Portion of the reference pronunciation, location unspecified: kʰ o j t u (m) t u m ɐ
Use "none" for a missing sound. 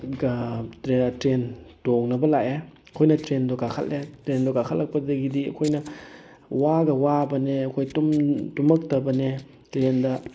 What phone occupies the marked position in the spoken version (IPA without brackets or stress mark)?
m